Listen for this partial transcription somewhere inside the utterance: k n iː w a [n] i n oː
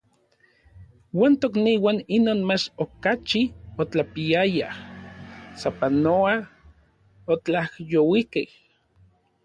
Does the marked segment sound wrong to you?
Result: no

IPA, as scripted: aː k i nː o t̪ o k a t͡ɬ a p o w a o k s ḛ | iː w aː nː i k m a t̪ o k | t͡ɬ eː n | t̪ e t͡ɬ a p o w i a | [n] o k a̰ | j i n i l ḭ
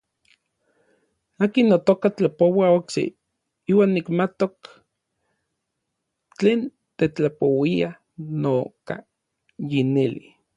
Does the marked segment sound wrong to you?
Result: no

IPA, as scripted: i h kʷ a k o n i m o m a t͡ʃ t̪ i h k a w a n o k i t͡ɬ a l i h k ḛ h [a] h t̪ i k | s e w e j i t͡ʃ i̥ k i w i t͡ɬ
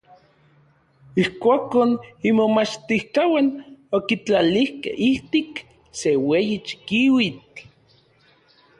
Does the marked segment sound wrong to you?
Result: yes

